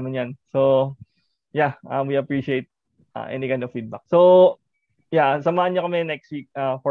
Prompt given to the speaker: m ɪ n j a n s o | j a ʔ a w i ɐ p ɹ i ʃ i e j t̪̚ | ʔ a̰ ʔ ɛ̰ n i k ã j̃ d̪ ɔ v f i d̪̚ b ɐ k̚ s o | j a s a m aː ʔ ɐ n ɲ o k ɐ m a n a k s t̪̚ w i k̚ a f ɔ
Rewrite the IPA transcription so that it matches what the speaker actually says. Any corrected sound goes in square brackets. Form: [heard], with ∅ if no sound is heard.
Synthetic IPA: m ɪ n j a n s o | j a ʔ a w i ɐ p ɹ i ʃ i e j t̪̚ | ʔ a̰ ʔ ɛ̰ n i k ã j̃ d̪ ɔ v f i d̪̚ b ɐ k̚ s o | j a s [ɐ] m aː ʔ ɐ n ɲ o k ɐ m [ɛ] n [ɛ] k s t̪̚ w i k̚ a f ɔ